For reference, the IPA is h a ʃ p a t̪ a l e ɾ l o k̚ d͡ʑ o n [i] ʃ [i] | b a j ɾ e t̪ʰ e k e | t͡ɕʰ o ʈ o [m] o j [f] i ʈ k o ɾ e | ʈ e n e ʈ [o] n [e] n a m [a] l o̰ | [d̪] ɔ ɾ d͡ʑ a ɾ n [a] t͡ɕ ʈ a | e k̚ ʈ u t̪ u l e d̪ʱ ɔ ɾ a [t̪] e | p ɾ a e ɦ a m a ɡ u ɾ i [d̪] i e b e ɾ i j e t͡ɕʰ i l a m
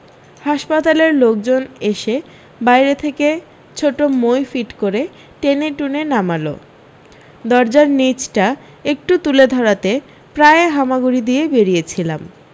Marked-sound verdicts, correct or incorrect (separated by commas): incorrect, incorrect, correct, correct, incorrect, correct, correct, correct, incorrect, correct, correct